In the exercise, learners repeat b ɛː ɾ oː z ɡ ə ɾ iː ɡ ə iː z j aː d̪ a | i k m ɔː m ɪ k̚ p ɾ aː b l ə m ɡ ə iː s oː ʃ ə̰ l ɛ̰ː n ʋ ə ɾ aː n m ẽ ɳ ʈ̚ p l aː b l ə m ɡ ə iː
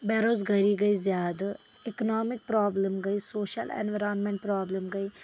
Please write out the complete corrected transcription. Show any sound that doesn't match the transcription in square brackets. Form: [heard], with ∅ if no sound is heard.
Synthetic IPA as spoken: b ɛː ɾ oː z ɡ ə ɾ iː ɡ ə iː z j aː d̪ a | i k [n] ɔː m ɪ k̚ p ɾ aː b l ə m ɡ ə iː s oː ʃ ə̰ l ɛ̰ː n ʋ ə ɾ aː n m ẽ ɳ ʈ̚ p [ɾ] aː b l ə m ɡ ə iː